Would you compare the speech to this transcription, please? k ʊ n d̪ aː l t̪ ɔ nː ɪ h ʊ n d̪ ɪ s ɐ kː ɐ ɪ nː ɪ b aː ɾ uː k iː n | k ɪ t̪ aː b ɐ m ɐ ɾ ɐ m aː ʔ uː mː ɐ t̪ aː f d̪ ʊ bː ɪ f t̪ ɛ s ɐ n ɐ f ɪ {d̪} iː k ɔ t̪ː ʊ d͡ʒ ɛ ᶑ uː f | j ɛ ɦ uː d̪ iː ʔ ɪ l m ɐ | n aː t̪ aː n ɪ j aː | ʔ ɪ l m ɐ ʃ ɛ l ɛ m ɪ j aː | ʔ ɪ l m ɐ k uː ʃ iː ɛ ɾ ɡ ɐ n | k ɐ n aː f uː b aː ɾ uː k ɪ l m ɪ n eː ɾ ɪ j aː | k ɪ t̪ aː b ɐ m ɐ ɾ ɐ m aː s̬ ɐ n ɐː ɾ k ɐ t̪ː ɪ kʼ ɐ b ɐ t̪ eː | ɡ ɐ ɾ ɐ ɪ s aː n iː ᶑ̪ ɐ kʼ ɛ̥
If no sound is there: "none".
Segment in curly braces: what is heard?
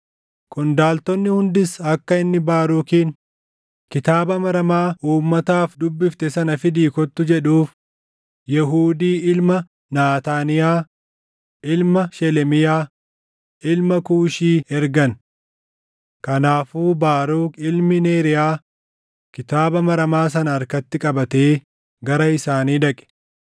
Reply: d̪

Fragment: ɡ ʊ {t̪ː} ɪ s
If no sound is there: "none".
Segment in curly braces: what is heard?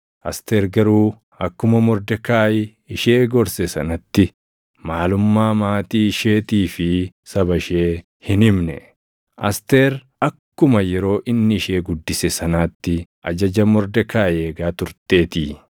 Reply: d̪ː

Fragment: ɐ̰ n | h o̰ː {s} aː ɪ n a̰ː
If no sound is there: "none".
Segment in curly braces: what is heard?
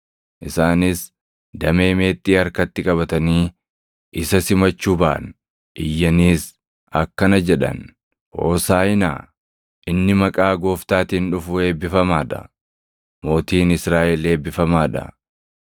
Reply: s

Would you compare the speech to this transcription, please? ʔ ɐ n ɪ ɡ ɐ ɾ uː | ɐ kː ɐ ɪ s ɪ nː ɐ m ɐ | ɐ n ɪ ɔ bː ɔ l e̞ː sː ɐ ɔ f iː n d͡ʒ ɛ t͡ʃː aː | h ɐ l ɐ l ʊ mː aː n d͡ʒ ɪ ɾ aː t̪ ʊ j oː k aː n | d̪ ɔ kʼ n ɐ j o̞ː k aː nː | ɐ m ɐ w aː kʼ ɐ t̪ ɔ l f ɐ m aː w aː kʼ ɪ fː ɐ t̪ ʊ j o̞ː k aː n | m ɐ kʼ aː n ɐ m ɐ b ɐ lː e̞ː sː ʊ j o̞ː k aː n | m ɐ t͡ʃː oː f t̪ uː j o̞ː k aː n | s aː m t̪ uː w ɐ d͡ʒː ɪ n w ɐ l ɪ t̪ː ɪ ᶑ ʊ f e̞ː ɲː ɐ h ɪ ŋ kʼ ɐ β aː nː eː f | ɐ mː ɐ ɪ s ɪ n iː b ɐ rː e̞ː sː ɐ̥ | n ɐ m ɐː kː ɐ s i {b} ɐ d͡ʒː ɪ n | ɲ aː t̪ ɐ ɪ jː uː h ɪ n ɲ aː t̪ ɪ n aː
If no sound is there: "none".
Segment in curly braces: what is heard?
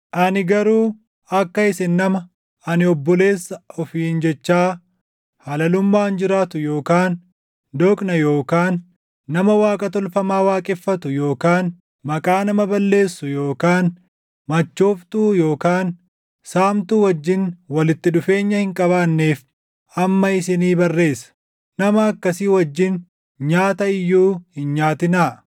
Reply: w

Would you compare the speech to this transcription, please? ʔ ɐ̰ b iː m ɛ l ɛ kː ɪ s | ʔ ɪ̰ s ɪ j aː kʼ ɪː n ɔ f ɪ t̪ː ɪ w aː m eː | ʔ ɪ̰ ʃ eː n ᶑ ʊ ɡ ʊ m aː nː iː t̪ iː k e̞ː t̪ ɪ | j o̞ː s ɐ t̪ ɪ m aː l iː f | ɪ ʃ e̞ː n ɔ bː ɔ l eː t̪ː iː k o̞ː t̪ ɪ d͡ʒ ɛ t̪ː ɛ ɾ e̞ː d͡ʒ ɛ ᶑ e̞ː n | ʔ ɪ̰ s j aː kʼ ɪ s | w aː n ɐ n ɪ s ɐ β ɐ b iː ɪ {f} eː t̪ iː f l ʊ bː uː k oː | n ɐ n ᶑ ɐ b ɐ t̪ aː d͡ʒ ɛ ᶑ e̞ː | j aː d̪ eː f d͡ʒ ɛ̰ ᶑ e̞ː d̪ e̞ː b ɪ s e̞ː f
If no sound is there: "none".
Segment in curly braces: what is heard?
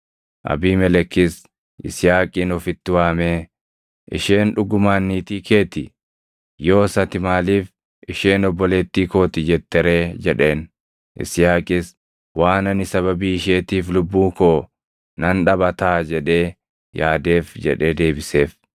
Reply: ʃ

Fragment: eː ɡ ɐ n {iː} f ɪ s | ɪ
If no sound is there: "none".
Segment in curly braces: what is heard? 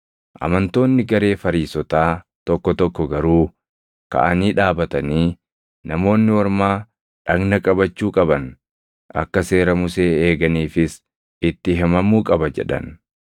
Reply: iː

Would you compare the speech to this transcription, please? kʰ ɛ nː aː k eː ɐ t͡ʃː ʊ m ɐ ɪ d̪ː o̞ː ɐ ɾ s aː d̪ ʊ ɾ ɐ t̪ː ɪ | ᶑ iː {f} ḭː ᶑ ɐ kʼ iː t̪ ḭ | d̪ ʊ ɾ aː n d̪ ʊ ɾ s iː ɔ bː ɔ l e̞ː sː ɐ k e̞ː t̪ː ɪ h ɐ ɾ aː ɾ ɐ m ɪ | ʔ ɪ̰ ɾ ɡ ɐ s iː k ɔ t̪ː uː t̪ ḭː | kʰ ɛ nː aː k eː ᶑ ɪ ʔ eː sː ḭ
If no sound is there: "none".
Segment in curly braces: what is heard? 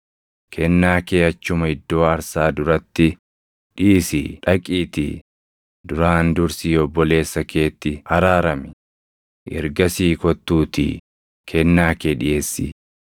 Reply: s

